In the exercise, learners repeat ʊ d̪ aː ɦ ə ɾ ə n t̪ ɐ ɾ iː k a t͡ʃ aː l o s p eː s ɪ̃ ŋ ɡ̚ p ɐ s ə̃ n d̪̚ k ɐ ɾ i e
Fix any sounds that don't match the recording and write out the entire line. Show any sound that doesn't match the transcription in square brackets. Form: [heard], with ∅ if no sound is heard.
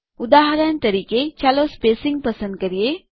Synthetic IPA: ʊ d̪ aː ɦ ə ɾ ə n t̪ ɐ ɾ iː k [e] t͡ʃ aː l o s p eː s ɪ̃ ŋ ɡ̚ p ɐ s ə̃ n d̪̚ k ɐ ɾ i e

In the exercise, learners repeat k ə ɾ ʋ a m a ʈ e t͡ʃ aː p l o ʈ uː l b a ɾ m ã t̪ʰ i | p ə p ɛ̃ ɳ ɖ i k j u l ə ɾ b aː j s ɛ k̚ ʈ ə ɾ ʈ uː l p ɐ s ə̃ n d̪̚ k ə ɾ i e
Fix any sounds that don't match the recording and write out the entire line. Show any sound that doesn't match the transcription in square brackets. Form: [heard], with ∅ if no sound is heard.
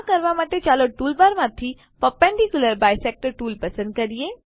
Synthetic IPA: k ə ɾ ʋ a m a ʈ e t͡ʃ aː [∅] l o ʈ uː l b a ɾ m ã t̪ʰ i | p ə p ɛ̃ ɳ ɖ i k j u l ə ɾ b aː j s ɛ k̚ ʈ ə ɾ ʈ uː l p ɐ s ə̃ n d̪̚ k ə ɾ i e

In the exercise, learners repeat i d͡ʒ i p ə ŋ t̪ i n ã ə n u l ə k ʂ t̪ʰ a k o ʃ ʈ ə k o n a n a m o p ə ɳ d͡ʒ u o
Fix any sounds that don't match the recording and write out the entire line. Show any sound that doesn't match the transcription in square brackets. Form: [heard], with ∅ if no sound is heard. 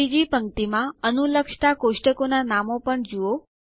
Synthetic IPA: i d͡ʒ i p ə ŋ t̪ i [m] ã ə n u l ə k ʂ [t̪] a k o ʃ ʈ ə k o n a n a m o p ə ɳ d͡ʒ u o

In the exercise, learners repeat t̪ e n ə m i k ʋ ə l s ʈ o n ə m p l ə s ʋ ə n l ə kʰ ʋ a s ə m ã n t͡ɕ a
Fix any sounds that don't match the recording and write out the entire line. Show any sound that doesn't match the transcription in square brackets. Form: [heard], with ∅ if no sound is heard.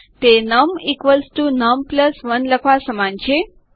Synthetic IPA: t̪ e n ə m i k ʋ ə l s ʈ [u] n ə m p l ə s ʋ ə n l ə kʰ ʋ a s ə m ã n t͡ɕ [e]

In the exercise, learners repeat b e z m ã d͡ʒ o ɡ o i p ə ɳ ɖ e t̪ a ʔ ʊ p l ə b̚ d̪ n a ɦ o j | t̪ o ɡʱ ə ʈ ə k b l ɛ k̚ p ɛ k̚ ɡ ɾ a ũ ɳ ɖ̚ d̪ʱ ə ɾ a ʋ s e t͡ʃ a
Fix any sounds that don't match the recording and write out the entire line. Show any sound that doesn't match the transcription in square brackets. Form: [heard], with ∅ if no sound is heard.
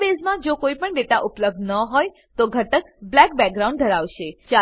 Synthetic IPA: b e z m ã d͡ʒ o [k] o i p ə ɳ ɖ e t̪ a ʔ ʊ p l ə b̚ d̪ n [ə] ɦ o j | t̪ o ɡʱ ə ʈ ə k b l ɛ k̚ [b] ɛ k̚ ɡ ɾ a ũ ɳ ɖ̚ d̪ʱ ə ɾ a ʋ [ʃ] e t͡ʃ a

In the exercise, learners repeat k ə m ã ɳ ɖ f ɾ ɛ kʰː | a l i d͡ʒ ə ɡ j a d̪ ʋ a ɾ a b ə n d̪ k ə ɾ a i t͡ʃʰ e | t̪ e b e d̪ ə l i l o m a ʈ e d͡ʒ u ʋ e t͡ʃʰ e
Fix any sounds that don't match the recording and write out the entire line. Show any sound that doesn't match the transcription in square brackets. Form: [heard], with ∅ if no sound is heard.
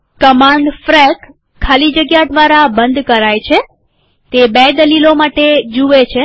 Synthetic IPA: k ə m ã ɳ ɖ f ɾ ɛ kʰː | a l i d͡ʒ ə ɡ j a d̪ ʋ a ɾ a b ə n d̪ k ə ɾ a [j] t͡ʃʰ e | t̪ e b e d̪ ə l i l o m a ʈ e d͡ʒ u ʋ e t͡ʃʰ e

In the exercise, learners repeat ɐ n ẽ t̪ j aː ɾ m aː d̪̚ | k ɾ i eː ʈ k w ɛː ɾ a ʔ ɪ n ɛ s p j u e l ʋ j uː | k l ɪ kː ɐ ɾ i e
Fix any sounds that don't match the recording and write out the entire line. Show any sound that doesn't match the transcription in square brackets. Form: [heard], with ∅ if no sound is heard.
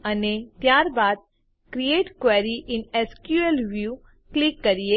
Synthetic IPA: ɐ n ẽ t̪ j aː ɾ [b] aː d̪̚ | k ɾ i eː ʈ k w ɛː ɾ [i] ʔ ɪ n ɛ s [k] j u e l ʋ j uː | k l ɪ kː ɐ ɾ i e

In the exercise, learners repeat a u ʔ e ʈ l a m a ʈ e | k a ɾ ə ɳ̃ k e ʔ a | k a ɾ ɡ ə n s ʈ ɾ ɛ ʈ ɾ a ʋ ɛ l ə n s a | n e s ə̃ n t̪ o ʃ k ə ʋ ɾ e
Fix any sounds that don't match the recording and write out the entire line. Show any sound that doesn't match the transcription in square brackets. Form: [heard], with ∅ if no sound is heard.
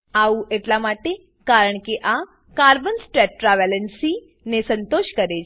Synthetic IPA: a u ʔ e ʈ l a m a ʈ e | k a ɾ ə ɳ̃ k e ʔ a | k a ɾ [b] ə n s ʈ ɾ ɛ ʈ ɾ a ʋ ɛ l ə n s [i] | n e s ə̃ n t̪ o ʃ k ə [∅] ɾ e

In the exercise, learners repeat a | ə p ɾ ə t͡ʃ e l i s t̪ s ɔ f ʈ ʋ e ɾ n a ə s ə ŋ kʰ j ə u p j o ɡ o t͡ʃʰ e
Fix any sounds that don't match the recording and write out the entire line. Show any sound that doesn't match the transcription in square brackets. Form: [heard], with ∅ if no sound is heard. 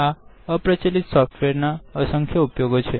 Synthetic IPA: a | ə p ɾ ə t͡ʃ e l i [∅] t̪ s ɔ f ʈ ʋ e ɾ n a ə s ə ŋ kʰ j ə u p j o ɡ o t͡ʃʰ e

